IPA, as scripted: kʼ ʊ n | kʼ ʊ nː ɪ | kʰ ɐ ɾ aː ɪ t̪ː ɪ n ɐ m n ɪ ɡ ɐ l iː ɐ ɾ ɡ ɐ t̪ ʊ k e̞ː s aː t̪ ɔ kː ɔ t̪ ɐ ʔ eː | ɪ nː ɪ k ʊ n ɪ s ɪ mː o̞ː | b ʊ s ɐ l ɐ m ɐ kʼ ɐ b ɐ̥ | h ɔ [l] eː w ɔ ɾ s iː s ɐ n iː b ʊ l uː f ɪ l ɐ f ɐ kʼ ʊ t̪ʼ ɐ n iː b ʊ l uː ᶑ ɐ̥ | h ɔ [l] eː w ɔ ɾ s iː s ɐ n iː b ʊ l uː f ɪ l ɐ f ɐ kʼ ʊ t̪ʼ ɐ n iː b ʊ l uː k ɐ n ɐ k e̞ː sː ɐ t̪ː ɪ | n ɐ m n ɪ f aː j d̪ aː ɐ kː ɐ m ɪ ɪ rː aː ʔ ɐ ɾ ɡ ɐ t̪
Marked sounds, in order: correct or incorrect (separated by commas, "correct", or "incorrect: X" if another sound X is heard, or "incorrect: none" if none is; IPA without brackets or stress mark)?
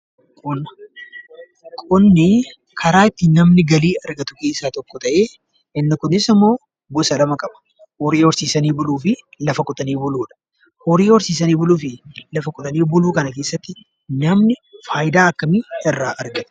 incorrect: ɾ, incorrect: ɾ